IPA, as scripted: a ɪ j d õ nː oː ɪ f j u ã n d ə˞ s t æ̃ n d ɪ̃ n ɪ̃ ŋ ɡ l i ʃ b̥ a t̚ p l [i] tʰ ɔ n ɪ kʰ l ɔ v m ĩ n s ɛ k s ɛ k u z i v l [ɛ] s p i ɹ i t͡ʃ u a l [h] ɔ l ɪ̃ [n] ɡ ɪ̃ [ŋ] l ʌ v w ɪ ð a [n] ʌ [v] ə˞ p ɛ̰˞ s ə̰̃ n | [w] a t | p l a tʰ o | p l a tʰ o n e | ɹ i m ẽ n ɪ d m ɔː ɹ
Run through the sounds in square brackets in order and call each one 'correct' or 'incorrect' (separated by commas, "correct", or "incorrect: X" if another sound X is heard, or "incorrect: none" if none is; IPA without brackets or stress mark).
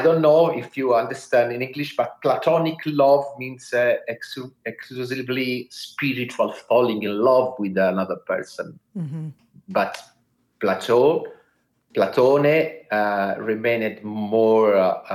incorrect: a, incorrect: i, incorrect: f, incorrect: ŋ, incorrect: n, correct, incorrect: ð, incorrect: b